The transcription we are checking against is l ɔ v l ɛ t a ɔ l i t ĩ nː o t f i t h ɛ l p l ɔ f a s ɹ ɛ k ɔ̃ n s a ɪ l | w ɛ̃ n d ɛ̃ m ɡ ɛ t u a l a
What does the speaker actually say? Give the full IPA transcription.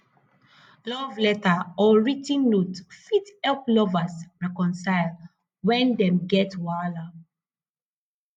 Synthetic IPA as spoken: l ɔ v l ɛ t a ɔ ɹ i t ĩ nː o t f i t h ɛ l p l ɔ v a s ɹ ɛ k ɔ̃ n s a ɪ l | w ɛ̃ n d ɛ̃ m ɡ ɛ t w a l a

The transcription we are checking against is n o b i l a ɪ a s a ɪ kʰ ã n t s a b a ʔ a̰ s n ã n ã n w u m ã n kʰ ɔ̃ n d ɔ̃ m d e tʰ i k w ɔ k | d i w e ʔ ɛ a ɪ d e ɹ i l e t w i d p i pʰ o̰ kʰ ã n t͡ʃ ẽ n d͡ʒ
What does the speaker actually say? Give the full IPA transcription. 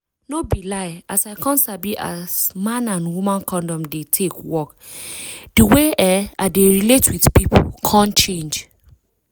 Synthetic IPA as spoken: n o b i l a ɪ a s a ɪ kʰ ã n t s a b i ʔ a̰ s m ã n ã n w u m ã n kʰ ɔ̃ n d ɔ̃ m d e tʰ e k w ɔ k | d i w e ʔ ɛ a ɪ d e ɹ i l e t w i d p i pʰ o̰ kʰ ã n t͡ʃ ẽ n d͡ʒ

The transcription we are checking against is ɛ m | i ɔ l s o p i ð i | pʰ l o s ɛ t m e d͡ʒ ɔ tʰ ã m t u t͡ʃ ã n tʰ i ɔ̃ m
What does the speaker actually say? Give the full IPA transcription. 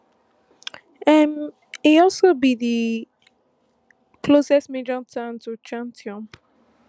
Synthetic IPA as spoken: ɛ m | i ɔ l s o b i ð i | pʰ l o s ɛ s m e d͡ʒ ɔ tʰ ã n t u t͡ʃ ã n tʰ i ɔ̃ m

